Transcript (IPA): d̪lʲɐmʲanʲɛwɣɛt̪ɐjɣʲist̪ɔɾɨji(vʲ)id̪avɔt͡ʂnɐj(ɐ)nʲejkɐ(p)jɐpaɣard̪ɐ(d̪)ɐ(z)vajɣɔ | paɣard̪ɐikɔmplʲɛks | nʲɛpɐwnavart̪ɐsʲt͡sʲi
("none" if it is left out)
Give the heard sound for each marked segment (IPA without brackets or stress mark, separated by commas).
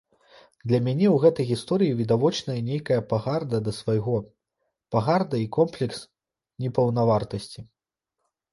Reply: vʲ, ɐ, none, d̪, s